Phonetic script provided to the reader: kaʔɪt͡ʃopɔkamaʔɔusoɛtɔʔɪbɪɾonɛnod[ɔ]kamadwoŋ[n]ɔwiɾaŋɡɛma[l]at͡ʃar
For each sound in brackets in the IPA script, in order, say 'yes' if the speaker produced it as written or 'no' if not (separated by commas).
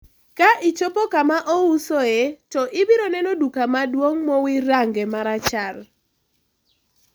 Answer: no, no, no